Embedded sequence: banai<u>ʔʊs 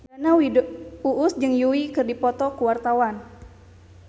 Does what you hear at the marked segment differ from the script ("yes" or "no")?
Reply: no